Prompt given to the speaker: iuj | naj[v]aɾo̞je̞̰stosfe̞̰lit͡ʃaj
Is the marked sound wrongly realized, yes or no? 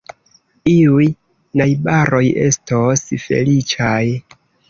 yes